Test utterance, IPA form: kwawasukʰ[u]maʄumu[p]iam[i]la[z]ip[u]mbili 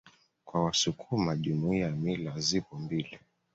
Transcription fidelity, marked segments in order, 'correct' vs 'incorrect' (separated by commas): correct, incorrect, correct, correct, incorrect